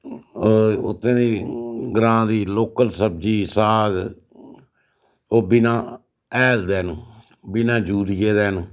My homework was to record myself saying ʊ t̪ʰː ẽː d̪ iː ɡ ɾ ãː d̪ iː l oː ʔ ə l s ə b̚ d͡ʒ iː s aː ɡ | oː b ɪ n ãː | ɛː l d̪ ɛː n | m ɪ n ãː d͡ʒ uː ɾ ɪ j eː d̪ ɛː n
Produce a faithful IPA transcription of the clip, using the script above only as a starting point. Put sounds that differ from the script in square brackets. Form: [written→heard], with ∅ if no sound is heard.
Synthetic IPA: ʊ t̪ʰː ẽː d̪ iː ɡ ɾ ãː d̪ iː l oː [ʔ→k] ə l s ə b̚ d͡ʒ iː s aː ɡ | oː b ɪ n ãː | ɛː l d̪ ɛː n | [m→b] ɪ n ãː d͡ʒ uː ɾ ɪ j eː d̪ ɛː n